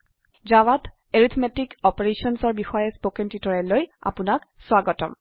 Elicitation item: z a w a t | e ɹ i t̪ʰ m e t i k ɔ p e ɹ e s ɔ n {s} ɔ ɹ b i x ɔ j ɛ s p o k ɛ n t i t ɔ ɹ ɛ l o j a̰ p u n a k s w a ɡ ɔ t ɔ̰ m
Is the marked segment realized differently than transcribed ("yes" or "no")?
no